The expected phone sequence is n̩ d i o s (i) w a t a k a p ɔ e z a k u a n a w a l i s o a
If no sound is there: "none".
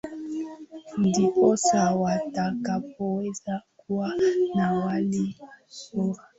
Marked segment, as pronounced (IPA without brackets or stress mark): a